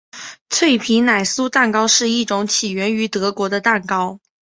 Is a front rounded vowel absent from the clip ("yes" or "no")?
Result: no